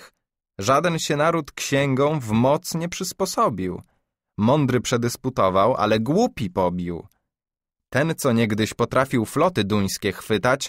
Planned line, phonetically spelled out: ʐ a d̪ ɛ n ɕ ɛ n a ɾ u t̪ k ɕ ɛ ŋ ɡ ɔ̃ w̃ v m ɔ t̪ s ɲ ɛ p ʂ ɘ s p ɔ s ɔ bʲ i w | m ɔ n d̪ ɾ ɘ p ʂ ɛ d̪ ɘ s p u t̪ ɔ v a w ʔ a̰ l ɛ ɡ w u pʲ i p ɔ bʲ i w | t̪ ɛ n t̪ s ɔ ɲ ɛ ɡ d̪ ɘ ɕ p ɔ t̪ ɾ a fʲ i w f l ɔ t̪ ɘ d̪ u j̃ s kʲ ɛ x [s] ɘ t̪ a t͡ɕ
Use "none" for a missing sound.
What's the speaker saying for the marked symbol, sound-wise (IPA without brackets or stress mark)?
f